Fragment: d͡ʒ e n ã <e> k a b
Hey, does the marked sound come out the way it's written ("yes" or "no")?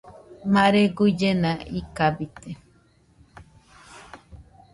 no